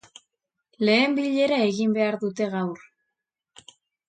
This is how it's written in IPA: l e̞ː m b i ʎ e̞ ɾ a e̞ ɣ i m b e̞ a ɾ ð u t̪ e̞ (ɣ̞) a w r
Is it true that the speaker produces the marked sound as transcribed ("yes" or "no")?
yes